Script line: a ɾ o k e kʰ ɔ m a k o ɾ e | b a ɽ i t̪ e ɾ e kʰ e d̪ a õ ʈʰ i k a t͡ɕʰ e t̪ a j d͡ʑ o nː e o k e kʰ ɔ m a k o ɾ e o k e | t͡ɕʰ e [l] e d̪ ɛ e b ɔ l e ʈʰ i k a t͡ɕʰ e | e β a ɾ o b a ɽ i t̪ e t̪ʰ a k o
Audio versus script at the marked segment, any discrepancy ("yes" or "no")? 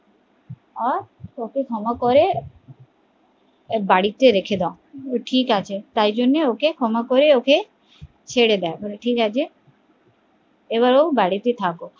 yes